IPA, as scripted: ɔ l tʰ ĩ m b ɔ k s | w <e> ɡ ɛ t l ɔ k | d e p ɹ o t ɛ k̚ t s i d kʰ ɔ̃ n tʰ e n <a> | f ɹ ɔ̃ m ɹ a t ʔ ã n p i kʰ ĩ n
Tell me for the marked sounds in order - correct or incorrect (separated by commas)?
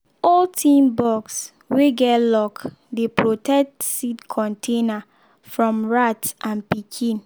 correct, correct